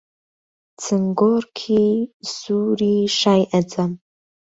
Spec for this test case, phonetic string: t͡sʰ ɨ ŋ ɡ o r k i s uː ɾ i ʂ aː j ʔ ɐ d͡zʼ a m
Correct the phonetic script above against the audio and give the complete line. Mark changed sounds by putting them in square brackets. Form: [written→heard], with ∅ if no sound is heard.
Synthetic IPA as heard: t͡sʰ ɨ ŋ ɡ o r [k→kʰ] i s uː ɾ i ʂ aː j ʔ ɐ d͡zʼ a m